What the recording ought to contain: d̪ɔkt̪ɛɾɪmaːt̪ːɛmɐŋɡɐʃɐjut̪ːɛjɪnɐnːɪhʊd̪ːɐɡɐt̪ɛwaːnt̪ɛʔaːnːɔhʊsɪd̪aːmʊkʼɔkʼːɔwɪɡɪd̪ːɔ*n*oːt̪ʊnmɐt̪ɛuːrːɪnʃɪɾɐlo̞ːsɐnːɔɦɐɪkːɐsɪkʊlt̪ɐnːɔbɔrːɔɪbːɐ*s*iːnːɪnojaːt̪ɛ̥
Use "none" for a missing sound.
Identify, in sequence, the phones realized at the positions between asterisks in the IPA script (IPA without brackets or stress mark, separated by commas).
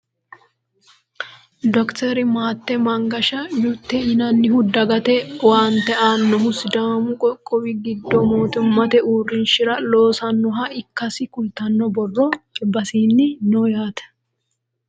m, s